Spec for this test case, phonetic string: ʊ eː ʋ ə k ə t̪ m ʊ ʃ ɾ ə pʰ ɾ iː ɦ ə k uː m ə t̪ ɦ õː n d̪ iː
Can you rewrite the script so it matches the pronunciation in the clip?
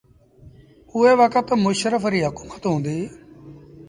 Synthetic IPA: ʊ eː ʋ ə k ə t̪ m ʊ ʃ ɾ ə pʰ ɾ iː ɦ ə k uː m ə t̪ ɦ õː n d̪ iː